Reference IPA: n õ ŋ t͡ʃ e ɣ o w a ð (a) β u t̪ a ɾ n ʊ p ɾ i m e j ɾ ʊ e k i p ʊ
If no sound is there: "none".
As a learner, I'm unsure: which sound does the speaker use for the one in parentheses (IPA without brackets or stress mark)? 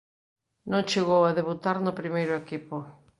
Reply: e